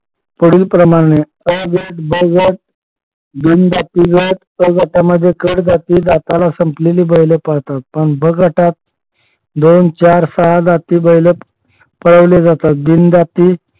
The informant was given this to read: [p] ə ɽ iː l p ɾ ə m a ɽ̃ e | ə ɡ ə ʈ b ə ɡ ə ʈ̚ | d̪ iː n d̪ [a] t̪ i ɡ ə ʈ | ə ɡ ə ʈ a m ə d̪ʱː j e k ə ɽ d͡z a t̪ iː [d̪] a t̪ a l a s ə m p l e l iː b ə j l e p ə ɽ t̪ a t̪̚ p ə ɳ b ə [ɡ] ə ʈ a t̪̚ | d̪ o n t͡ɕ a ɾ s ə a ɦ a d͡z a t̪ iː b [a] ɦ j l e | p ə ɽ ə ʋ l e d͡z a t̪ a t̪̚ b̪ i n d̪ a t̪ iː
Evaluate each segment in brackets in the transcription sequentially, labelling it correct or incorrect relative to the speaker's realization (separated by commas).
correct, correct, correct, correct, incorrect